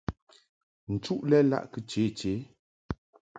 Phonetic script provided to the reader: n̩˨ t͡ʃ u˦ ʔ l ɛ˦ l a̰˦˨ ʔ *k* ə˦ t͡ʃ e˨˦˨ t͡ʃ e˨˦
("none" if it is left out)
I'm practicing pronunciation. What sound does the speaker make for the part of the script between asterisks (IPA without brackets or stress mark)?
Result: k